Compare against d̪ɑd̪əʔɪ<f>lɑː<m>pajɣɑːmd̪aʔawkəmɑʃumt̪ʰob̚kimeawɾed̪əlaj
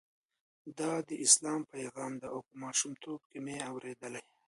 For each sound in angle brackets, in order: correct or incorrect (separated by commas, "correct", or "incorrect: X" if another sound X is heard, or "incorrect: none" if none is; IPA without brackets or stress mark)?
incorrect: s, correct